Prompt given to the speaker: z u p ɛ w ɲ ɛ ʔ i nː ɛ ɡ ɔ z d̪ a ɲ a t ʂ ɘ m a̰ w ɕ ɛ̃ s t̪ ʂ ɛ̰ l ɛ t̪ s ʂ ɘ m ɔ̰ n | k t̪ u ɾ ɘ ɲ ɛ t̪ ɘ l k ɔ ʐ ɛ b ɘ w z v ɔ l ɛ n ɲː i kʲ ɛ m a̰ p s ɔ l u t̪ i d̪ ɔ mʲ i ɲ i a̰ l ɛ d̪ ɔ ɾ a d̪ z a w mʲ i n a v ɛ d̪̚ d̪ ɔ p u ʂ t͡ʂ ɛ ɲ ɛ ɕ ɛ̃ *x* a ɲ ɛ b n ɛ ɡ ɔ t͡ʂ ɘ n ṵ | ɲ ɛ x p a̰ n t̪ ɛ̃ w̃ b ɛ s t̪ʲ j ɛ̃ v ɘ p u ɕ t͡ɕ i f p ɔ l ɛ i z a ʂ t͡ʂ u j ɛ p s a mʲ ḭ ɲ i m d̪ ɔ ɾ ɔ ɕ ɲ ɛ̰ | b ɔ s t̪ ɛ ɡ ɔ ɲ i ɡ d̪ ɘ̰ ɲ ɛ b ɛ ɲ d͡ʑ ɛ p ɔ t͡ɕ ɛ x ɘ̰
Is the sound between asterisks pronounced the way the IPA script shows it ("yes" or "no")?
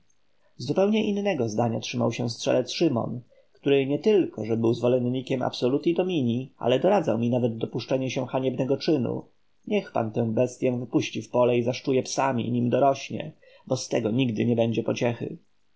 yes